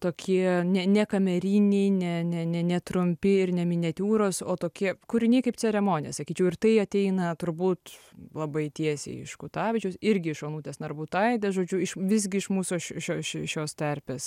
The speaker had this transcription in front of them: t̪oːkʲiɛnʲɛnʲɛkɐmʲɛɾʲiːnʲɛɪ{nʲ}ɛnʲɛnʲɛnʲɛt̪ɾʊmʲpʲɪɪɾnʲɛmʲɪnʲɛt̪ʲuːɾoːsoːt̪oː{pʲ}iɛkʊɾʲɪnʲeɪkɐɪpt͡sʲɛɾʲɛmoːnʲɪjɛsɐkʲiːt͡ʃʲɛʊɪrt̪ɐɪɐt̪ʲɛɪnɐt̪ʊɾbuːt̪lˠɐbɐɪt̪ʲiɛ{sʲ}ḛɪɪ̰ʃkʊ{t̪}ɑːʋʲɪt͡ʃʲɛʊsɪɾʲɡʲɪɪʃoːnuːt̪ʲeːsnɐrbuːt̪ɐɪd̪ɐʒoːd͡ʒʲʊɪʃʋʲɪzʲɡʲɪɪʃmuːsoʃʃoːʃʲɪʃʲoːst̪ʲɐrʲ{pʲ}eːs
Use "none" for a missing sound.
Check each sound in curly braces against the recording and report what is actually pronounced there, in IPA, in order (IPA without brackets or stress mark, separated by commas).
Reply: nʲ, kʲ, sʲ, t̪, pʲ